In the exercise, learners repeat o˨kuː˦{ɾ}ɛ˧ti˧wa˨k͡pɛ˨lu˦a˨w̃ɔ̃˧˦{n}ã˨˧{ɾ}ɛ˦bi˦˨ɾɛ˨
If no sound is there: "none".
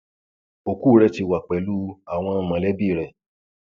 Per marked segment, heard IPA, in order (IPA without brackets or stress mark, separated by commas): ɾ, m, l